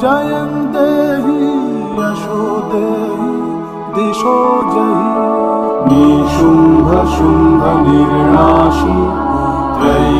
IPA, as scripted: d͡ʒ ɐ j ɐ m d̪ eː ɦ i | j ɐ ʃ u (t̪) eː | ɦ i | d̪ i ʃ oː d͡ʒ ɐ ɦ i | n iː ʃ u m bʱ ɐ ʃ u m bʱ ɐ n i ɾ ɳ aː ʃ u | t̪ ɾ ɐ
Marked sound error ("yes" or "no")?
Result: yes